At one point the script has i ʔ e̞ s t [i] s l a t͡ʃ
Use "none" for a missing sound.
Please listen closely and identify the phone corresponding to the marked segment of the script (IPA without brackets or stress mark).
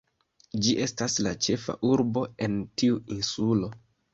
a